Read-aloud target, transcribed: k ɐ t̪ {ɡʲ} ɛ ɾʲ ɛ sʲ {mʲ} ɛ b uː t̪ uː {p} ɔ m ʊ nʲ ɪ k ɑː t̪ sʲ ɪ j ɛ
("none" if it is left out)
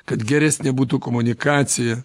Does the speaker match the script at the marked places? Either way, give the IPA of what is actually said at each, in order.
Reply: ɡʲ, nʲ, k

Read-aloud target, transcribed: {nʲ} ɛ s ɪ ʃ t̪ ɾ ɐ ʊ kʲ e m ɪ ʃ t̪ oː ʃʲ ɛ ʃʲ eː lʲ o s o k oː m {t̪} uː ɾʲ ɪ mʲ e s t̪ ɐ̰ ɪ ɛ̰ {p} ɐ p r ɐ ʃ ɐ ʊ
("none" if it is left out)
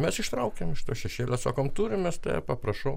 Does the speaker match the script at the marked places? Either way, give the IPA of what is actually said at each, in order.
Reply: mʲ, t̪, p

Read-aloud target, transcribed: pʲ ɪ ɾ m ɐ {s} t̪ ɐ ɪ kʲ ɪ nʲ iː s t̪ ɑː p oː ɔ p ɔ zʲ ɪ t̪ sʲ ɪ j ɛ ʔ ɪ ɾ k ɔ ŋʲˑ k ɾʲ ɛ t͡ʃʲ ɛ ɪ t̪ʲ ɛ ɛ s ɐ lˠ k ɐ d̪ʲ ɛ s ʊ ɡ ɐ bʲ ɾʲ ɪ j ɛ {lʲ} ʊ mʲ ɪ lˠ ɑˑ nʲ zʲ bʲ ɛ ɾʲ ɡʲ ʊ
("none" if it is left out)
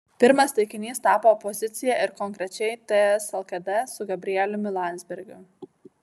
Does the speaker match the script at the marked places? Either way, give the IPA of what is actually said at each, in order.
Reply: s, lʲ

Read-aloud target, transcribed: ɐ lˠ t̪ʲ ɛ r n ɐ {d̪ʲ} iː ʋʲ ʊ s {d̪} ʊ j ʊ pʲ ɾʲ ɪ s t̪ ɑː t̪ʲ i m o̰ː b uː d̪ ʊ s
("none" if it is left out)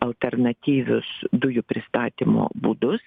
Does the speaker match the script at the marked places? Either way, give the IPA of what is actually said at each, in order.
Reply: t̪ʲ, d̪

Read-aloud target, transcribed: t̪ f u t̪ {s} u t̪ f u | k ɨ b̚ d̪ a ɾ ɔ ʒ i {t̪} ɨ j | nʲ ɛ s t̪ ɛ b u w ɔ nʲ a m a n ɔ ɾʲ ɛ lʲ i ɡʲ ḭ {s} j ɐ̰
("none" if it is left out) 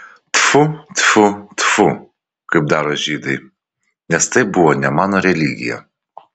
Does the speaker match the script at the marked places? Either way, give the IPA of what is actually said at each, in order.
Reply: f, d̪, none

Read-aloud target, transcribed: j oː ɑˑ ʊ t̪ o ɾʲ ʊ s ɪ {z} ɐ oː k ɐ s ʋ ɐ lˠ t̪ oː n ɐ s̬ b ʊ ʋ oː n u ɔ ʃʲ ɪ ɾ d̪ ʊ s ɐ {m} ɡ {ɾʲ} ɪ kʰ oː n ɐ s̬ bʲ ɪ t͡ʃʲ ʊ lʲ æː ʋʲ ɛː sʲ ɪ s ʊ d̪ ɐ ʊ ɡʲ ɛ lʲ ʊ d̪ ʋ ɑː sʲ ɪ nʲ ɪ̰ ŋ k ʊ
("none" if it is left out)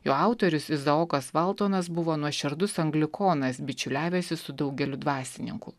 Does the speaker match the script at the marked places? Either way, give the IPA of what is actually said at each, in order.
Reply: z, ŋ, lʲ

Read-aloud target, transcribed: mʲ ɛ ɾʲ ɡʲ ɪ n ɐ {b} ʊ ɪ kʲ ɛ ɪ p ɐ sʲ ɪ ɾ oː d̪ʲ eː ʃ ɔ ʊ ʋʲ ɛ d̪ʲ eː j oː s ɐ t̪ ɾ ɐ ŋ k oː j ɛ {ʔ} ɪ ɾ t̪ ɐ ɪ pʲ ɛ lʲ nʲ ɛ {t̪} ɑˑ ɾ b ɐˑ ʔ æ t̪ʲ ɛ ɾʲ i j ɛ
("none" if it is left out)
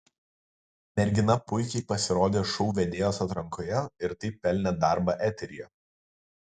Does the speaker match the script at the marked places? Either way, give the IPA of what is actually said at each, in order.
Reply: p, none, d̪

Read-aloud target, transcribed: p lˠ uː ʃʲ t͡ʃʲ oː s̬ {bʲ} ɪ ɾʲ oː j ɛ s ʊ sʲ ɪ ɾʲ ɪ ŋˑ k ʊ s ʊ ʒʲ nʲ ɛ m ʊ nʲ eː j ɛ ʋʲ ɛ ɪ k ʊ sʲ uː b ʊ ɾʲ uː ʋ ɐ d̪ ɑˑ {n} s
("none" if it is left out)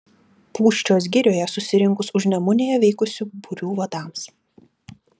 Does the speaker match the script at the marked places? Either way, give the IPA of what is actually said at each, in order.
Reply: ɡʲ, m

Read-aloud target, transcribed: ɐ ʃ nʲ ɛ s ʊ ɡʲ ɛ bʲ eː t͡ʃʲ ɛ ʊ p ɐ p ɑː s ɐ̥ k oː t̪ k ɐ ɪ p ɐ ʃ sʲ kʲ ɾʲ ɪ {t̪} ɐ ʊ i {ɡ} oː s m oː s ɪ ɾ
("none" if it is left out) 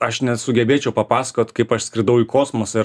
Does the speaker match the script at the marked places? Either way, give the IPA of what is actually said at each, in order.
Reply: d̪, k

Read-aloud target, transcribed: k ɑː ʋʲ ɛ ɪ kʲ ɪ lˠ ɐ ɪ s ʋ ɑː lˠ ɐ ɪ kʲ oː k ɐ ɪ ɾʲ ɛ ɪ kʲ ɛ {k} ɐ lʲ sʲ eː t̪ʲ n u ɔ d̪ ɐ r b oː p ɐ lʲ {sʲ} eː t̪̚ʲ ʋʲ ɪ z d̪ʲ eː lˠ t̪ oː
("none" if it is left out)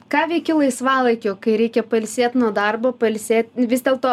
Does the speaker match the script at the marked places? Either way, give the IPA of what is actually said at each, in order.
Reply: p, sʲ

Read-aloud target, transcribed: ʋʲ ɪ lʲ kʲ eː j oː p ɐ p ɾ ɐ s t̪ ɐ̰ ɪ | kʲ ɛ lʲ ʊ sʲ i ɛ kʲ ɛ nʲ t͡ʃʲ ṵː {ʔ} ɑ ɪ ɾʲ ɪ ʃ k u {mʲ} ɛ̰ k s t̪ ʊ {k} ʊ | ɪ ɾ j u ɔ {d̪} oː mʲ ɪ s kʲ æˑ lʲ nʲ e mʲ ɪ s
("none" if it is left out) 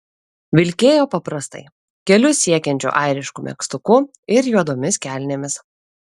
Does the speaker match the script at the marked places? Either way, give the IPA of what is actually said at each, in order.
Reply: ʔ, mʲ, k, d̪

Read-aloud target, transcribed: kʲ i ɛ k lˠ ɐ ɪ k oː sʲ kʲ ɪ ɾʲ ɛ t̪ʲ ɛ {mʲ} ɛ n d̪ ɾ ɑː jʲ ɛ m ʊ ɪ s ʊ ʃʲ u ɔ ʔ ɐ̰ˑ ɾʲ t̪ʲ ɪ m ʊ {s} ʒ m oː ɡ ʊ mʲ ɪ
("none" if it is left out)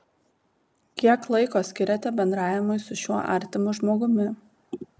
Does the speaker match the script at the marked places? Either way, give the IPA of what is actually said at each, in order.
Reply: bʲ, none

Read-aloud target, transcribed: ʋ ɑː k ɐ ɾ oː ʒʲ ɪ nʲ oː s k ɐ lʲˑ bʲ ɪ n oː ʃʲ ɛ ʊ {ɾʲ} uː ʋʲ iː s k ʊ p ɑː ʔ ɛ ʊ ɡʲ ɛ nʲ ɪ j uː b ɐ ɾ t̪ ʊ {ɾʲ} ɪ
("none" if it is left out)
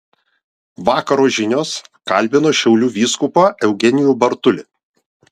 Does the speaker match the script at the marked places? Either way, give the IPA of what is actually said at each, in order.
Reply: lʲ, lʲ

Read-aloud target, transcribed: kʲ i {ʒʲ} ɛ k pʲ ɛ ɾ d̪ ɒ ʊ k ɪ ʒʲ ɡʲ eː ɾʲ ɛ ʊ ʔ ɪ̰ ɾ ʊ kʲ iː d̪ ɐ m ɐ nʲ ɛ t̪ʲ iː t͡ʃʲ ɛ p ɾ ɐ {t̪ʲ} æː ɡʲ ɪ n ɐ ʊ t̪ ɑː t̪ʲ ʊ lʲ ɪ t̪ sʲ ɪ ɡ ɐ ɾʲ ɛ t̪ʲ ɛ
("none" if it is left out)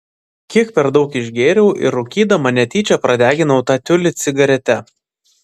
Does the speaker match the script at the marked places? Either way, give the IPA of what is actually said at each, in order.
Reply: none, d̪ʲ

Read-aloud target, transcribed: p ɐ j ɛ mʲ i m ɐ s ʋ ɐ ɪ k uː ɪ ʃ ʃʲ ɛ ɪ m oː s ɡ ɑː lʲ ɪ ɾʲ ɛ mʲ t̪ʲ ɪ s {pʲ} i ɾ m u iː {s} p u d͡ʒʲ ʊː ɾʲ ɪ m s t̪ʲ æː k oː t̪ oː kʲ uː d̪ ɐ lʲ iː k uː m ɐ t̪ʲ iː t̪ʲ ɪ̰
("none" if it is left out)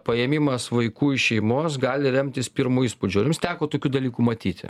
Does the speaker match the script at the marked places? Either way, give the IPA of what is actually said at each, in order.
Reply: pʲ, s

